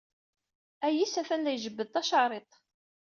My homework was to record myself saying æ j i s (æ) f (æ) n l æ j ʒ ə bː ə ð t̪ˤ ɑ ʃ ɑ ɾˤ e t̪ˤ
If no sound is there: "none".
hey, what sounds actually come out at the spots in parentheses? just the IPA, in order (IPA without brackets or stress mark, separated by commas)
æ, æ